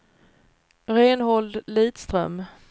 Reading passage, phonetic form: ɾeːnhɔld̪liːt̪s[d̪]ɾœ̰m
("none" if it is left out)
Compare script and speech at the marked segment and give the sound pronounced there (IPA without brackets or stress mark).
t̪